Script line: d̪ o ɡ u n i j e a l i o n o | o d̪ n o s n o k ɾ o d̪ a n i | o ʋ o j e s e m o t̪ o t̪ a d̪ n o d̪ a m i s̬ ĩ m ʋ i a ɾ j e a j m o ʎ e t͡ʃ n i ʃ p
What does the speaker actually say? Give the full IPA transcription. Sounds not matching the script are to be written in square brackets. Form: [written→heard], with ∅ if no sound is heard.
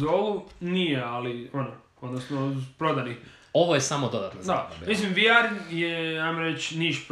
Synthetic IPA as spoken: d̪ o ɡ u n i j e a l i o n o | o d̪ n o s n o [k→p] ɾ o d̪ a n i | o ʋ o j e s [e→a] m o [t̪→d̪] o [t̪→d̪] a [d̪→t̪] n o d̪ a m i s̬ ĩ m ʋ i a ɾ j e a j m o [ʎ→ɾ] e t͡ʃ n i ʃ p